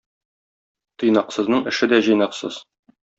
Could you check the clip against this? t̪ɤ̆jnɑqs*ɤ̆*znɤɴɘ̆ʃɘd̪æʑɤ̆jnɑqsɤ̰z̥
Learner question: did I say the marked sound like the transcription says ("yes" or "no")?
yes